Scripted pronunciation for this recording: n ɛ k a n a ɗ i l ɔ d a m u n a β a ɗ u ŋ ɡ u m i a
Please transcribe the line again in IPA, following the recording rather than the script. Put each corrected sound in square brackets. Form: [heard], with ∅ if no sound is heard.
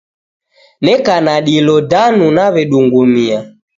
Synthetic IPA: n ɛ k a n a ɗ i l ɔ d a [n] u n a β [ɛ] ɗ u ŋ ɡ u m i a